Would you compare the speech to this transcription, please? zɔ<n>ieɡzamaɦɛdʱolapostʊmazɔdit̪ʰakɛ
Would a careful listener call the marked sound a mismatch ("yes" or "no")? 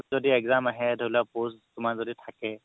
yes